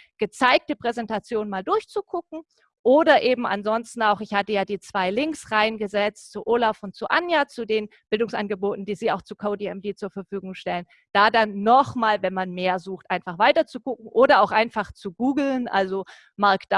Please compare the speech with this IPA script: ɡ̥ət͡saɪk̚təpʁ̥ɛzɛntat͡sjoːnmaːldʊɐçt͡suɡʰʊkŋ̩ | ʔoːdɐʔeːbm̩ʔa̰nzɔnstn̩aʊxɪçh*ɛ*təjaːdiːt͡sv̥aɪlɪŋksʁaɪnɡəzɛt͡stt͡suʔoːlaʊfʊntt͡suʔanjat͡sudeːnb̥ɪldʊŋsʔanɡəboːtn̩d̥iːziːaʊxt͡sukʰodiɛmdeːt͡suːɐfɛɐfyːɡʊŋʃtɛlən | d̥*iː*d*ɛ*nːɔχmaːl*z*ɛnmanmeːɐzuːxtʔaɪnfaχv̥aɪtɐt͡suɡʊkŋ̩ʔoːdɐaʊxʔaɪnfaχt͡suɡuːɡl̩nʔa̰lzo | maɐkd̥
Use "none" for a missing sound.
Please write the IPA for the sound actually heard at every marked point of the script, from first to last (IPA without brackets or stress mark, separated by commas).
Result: a, aː, a, v